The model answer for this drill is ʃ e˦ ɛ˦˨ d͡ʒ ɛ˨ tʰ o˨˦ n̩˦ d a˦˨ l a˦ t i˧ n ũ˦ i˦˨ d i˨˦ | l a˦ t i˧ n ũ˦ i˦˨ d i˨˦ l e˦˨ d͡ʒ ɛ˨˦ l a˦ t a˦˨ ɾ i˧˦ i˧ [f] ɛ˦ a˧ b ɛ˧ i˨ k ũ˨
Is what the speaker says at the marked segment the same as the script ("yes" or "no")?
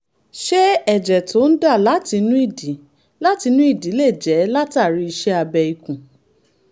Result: no